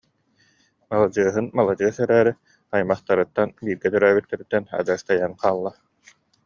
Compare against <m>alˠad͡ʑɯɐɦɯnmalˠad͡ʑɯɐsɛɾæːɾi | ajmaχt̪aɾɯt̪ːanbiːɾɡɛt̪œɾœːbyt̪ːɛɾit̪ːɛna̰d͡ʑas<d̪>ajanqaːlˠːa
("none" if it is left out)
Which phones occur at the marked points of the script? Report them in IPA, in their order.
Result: m, t̪

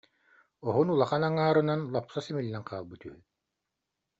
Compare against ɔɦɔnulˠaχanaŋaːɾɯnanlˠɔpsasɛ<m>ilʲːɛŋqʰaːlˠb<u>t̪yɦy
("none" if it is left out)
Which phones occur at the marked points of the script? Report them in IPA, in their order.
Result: m, ɯ

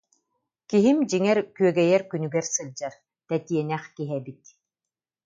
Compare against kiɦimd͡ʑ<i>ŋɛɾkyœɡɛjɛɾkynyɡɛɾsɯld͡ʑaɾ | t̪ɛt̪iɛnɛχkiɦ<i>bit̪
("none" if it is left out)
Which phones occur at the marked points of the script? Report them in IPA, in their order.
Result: i, ɛ

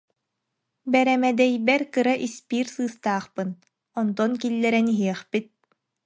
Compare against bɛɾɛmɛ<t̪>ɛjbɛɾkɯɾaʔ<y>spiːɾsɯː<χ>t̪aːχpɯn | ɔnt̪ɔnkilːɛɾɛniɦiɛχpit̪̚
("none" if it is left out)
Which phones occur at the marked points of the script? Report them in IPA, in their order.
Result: d̪, i, s

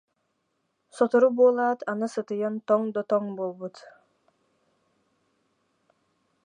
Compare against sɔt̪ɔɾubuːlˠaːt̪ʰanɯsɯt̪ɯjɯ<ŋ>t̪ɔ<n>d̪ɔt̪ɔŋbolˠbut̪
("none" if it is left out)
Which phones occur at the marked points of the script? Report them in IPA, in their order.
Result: n, ŋ

